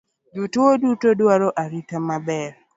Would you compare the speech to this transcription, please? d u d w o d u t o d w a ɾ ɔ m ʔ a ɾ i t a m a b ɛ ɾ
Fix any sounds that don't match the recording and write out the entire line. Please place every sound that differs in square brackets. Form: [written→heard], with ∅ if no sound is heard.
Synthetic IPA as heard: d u [d→t] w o d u t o d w a ɾ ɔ [m→∅] ʔ a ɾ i t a m a b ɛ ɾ